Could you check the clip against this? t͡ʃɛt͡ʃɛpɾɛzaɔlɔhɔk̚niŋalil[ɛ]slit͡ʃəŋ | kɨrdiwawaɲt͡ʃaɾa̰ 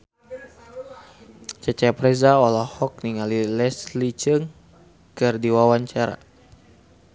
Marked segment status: correct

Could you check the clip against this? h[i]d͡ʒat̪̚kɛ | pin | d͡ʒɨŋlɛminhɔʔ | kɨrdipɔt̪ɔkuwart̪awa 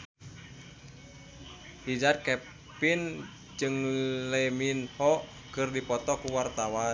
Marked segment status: correct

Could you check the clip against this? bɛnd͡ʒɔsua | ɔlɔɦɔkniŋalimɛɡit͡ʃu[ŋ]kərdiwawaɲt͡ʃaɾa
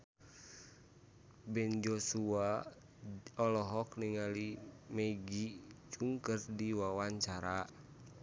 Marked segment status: correct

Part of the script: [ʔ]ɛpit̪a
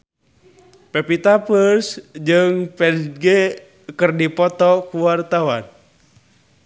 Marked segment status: incorrect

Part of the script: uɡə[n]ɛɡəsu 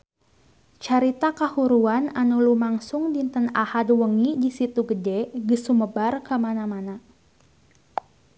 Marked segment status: incorrect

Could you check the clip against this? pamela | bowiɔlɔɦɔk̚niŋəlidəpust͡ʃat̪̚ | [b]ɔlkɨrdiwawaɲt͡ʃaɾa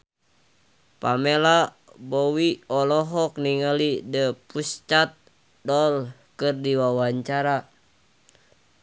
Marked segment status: incorrect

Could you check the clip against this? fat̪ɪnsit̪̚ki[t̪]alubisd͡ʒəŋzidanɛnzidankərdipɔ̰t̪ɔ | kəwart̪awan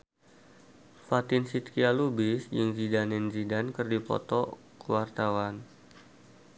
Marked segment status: incorrect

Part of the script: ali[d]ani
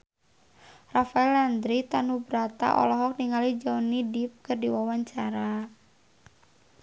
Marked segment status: incorrect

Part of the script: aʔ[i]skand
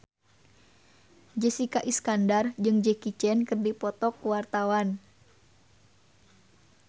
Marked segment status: correct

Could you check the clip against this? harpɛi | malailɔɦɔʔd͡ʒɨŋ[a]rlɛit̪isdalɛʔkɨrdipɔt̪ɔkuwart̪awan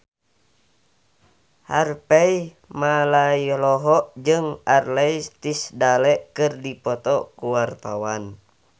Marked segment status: correct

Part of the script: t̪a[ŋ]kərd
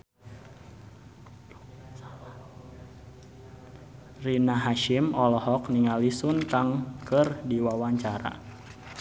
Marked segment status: correct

